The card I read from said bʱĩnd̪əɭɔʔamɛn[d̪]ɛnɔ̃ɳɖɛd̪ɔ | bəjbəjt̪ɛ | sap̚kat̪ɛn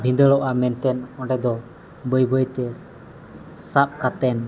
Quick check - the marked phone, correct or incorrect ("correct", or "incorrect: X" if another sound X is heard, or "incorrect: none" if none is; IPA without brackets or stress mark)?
incorrect: t̪